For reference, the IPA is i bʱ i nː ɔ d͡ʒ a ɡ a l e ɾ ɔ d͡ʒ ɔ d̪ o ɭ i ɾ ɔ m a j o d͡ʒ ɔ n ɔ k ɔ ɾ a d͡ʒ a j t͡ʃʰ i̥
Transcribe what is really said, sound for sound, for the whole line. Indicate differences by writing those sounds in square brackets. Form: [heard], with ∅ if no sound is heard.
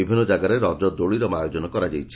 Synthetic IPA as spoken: i bʱ i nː ɔ d͡ʒ a ɡ a [ɾ] e ɾ ɔ d͡ʒ ɔ d̪ o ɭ i ɾ ɔ m a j o d͡ʒ ɔ n ɔ k ɔ ɾ a d͡ʒ a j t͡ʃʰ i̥

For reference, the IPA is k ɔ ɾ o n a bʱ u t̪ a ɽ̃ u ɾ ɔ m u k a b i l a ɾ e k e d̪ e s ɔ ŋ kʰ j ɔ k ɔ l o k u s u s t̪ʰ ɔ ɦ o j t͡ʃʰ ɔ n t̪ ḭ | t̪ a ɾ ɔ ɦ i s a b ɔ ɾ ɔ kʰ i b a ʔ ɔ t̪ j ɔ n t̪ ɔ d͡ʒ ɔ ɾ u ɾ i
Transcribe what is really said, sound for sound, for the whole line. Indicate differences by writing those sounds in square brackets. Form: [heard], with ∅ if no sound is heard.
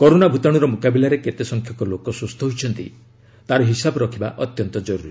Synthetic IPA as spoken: k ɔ ɾ o n a bʱ u t̪ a ɽ̃ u ɾ ɔ m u k a b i l a ɾ e k e [t̪] e s ɔ ŋ kʰ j ɔ k ɔ l o k [ɔ] s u s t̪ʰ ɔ ɦ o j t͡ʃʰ ɔ n t̪ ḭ | t̪ a ɾ ɔ ɦ i s a b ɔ ɾ ɔ kʰ i b a ʔ ɔ t̪ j ɔ n t̪ ɔ d͡ʒ ɔ ɾ u ɾ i

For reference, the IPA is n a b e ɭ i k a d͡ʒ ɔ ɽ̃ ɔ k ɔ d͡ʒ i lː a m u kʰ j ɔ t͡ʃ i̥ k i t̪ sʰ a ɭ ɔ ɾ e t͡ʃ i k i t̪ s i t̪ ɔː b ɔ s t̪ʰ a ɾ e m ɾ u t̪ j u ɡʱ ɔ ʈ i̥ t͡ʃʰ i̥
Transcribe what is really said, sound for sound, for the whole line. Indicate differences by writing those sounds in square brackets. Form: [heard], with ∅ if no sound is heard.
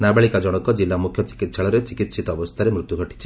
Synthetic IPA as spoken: n a b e ɭ i k a d͡ʒ ɔ ɽ̃ ɔ k ɔ d͡ʒ i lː a m u kʰ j ɔ t͡ʃ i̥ k i t̪ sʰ a ɭ ɔ ɾ e t͡ʃ i k i t̪ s i t̪ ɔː b ɔ s t̪ʰ a ɾ e m ɾ u t̪ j u ɡʱ ɔ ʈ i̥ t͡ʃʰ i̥

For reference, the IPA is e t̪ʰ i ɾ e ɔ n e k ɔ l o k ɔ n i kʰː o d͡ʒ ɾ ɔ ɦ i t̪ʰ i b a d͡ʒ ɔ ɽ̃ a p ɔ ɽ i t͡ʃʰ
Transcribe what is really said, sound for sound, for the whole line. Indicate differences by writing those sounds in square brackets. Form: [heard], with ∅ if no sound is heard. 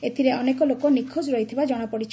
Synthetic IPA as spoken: e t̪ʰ i ɾ e ɔ n e k ɔ l o k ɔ n i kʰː o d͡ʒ ɾ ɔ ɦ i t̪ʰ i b a d͡ʒ ɔ ɽ̃ a p ɔ ɽ i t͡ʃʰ

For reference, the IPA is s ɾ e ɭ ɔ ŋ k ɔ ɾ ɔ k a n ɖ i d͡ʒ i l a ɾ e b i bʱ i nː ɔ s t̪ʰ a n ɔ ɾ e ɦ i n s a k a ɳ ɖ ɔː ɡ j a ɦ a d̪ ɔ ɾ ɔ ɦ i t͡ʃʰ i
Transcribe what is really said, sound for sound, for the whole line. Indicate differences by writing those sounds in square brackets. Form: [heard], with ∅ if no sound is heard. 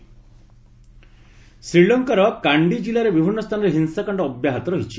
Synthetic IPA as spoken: s ɾ [i] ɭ ɔ ŋ k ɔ ɾ ɔ k a [ɳ] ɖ i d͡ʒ i l a ɾ e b i bʱ i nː ɔ s t̪ʰ a n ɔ ɾ e ɦ i n s a k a ɳ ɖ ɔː [b] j a ɦ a [t̪] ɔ ɾ ɔ ɦ i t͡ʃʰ i

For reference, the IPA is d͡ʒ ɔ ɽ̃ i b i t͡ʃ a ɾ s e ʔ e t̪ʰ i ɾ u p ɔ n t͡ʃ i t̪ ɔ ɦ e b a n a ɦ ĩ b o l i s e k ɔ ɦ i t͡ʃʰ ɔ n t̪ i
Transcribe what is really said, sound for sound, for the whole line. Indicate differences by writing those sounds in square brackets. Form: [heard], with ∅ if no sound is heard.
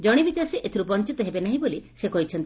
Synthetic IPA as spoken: d͡ʒ ɔ ɽ̃ i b i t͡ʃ a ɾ s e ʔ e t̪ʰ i ɾ u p ɔ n t͡ʃ i t̪ ɔ ɦ e b [e] n a ɦ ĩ b o l i s e k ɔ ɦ i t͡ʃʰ ɔ n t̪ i

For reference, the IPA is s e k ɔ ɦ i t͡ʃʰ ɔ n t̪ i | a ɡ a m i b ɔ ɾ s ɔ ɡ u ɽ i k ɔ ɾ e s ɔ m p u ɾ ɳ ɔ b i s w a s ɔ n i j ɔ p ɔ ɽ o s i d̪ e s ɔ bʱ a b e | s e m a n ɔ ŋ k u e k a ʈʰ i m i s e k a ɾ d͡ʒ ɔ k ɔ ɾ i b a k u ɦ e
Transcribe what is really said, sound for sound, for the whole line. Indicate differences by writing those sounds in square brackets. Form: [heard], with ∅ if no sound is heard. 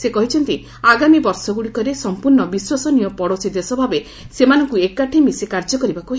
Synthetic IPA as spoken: s e k ɔ ɦ i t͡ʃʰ ɔ n t̪ i | a ɡ a m i b ɔ ɾ s ɔ ɡ u ɽ i k ɔ ɾ e s ɔ m p u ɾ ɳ ɔ b i s w a s ɔ n i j ɔ p ɔ ɽ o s i d̪ e s ɔ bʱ a b e | s e m a n ɔ ŋ k u e k a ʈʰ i m i s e k a ɾ d͡ʒ ɔ k ɔ ɾ i b a k u ɦ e

